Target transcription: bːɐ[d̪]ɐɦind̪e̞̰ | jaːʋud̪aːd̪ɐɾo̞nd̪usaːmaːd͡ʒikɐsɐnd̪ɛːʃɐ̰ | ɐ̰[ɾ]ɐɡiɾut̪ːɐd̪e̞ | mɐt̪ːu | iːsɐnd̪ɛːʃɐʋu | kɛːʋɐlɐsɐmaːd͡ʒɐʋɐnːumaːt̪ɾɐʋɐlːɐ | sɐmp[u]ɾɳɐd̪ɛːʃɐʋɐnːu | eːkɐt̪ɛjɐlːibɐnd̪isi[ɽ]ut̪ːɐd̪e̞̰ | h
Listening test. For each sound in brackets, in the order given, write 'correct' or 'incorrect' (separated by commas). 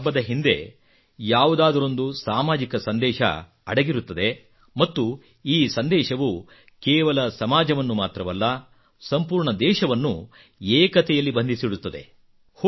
correct, incorrect, incorrect, correct